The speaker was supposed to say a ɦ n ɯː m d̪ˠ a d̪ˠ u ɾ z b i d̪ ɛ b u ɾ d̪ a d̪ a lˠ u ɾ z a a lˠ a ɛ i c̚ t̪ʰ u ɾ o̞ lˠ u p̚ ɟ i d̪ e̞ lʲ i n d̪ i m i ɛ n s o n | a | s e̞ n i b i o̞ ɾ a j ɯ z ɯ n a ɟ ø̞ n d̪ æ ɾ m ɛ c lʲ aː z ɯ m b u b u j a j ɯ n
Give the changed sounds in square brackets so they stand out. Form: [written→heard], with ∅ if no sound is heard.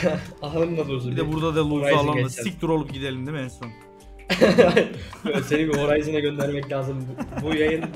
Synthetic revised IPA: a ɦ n [ɯː→ɯ] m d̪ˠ a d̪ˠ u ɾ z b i d̪ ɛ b u ɾ d̪ a d̪ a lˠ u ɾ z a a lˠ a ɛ i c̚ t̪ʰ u ɾ o̞ lˠ u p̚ ɟ i d̪ e̞ lʲ i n d̪ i m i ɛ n s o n | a | s e̞ n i b i o̞ ɾ a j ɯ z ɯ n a ɟ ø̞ n d̪ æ ɾ m ɛ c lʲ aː z ɯ m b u b u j a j ɯ n